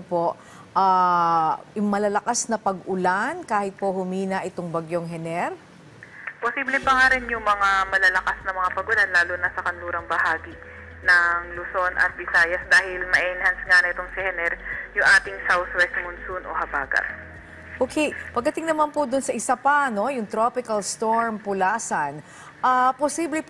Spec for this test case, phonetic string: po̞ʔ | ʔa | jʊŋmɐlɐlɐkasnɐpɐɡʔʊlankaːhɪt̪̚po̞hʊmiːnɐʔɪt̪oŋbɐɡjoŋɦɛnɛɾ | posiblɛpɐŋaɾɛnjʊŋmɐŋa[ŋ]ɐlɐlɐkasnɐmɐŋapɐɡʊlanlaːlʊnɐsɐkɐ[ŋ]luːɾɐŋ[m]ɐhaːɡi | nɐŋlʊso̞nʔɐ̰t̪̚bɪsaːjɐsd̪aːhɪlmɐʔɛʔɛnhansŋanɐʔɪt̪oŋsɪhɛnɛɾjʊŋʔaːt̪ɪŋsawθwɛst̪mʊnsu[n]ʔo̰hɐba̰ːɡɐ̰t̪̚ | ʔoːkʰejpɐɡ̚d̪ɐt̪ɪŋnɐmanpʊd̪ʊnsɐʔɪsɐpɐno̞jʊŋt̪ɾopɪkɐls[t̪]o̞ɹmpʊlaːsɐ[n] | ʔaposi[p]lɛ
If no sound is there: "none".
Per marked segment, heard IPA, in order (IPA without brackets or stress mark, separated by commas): m, n, b, n, t̪, n, b